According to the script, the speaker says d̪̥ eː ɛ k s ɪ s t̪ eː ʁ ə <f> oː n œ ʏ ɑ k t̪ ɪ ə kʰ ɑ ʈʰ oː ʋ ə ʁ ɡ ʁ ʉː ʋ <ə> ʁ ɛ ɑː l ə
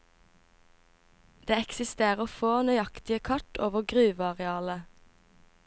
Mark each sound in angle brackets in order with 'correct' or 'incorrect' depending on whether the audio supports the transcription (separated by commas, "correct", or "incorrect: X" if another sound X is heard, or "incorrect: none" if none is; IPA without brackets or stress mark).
correct, incorrect: ɑ